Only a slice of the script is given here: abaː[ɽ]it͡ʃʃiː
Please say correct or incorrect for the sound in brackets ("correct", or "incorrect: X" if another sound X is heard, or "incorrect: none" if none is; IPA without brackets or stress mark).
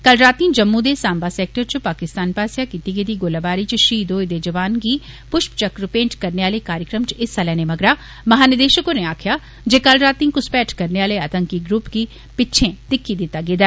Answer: incorrect: ɾ